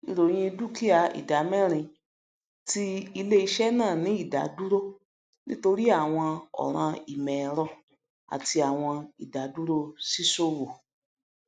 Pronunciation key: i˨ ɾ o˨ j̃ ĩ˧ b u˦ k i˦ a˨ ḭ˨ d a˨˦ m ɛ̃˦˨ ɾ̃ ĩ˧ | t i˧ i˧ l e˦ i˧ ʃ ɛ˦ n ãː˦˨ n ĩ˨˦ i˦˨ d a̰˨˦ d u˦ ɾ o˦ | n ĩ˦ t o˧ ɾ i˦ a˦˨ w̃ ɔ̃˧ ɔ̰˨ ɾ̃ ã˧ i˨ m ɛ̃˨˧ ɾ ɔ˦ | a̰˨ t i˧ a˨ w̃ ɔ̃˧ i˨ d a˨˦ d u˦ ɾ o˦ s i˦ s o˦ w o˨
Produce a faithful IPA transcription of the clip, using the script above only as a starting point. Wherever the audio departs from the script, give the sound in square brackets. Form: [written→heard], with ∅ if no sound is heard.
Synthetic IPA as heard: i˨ ɾ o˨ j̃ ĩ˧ [b→d] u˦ k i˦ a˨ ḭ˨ d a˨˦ m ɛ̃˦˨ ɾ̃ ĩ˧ | t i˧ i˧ l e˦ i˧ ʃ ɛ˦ n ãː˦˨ n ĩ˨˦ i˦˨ d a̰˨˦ d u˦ ɾ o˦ | n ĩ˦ t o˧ ɾ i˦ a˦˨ w̃ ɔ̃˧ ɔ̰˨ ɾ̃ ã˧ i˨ m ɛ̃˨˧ ɾ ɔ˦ | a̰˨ t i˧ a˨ w̃ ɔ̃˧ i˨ d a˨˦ d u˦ ɾ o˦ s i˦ s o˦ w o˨